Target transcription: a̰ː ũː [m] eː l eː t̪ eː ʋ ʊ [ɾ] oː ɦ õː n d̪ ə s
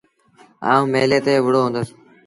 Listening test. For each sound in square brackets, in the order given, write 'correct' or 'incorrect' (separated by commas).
correct, incorrect